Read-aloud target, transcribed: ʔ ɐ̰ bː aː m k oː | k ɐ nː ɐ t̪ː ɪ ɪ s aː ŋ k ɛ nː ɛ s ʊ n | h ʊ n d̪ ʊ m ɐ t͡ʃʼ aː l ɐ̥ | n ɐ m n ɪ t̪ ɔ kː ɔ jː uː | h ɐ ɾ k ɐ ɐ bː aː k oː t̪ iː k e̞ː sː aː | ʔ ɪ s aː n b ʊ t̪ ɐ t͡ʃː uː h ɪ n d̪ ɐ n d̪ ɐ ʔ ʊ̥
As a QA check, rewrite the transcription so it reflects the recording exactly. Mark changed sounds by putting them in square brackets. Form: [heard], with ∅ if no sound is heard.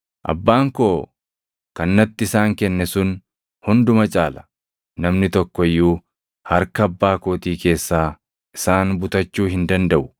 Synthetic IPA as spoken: ʔ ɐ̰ bː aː [ŋ] k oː | k ɐ nː ɐ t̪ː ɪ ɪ s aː ŋ k ɛ nː ɛ s ʊ n | h ʊ n d̪ ʊ m ɐ t͡ʃʼ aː l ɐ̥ | n ɐ m n ɪ t̪ ɔ kː ɔ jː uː | h ɐ ɾ k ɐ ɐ bː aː k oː t̪ iː k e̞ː sː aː | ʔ ɪ s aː n b ʊ t̪ ɐ t͡ʃː uː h ɪ n d̪ ɐ n d̪ ɐ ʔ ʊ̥